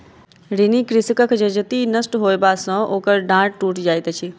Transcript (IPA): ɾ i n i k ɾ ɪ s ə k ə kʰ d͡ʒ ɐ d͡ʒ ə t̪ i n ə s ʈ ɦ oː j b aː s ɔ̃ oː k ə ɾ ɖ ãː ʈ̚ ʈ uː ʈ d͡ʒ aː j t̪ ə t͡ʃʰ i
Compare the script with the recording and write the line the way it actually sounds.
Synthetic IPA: ɾ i n i k ɾ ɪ s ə k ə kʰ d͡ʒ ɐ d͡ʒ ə t̪ i n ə s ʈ ɦ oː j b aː s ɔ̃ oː k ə ɾ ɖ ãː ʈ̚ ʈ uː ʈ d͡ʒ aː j t̪ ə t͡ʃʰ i